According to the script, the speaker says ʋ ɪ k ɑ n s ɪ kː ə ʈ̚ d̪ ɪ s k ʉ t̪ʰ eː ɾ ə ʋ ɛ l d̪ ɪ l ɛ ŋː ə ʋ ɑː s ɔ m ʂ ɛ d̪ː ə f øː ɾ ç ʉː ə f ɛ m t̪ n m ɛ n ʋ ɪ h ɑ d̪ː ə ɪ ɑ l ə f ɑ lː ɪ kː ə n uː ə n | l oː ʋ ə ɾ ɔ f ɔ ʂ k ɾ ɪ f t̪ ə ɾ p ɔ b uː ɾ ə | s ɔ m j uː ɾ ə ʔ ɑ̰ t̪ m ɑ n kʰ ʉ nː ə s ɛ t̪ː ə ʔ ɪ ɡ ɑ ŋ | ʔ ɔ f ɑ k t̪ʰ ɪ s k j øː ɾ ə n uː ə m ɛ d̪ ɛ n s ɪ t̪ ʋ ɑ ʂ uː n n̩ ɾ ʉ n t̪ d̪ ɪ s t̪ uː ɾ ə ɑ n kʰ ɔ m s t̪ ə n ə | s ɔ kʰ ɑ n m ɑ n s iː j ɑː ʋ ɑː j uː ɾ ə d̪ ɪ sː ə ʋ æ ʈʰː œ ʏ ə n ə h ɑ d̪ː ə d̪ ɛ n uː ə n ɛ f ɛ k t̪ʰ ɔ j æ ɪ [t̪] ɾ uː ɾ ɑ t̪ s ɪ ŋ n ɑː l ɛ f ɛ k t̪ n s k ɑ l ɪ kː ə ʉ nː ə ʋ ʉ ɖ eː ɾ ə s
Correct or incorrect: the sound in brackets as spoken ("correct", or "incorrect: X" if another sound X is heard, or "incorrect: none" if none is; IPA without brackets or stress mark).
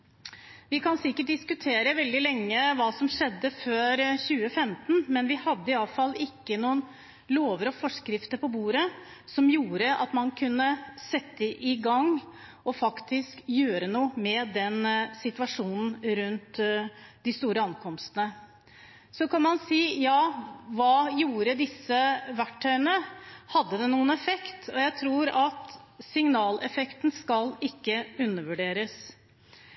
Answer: incorrect: t̪ʰ